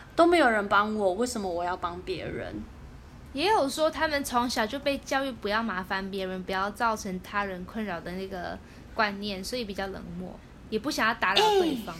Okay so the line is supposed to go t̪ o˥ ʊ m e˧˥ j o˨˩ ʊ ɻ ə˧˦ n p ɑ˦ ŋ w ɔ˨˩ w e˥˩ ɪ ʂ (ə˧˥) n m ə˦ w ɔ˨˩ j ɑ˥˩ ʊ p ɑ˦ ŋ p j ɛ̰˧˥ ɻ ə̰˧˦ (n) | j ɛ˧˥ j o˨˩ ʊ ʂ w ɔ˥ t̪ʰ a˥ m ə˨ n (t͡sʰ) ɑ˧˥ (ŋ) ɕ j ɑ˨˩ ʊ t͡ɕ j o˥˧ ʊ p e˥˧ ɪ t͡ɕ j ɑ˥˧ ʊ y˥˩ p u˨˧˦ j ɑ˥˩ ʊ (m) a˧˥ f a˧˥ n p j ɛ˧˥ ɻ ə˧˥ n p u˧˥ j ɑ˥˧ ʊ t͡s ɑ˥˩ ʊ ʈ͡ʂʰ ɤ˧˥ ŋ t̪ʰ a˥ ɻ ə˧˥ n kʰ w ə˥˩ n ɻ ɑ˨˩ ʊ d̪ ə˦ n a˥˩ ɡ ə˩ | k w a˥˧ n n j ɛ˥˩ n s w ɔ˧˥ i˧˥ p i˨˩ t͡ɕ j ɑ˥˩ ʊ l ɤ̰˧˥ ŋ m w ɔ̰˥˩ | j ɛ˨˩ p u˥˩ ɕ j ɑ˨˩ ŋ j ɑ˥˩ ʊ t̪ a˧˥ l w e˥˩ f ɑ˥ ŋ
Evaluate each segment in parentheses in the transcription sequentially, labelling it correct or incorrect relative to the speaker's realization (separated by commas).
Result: incorrect, correct, correct, correct, correct